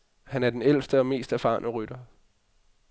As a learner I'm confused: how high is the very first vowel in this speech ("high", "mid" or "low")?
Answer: low